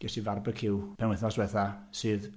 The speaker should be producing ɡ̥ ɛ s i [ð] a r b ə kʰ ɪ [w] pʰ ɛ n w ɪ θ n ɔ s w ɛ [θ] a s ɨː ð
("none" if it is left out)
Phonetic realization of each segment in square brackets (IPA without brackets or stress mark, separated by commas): v, w, θ